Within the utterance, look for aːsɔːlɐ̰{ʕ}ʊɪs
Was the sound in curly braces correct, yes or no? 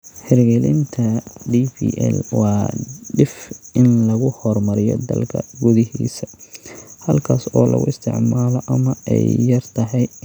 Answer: no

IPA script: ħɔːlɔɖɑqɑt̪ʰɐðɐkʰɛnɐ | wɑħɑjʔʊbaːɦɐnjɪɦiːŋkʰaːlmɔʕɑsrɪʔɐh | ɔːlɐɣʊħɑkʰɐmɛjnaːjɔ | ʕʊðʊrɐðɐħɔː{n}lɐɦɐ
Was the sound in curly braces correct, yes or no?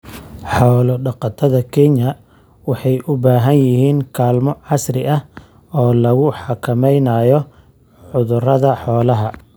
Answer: no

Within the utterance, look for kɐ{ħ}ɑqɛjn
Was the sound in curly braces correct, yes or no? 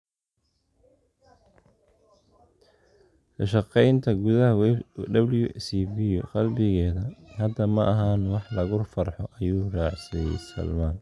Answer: no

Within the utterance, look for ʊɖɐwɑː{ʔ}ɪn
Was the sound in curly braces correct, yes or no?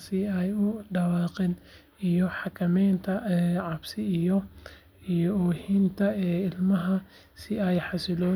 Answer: no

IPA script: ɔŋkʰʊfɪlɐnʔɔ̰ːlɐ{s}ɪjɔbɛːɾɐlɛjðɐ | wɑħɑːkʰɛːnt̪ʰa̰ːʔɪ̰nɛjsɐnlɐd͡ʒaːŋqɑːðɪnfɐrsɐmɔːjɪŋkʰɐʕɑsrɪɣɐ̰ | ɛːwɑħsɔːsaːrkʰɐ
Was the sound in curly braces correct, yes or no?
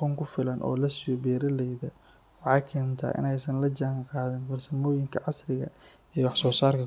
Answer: yes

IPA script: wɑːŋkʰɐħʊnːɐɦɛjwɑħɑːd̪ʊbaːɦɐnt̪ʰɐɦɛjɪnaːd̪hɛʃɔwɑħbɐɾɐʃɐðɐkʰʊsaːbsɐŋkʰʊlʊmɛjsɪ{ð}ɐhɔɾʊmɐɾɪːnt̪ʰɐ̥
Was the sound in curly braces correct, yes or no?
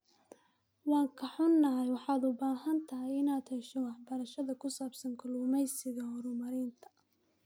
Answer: no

